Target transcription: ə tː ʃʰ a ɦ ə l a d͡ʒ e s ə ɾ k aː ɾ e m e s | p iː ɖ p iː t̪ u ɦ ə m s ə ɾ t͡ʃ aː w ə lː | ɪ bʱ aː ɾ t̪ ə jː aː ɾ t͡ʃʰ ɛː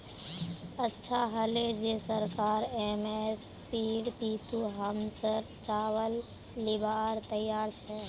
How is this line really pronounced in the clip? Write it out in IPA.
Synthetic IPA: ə tː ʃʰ a ɦ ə l e d͡ʒ e s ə ɾ k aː ɾ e m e s | p iː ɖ p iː t̪ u ɦ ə m s ə ɾ t͡ʃ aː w ə lː | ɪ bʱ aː ɾ t̪ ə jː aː ɾ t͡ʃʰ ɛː